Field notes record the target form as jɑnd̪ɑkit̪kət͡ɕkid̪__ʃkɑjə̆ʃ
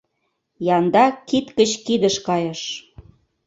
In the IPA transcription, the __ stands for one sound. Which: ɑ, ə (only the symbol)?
ə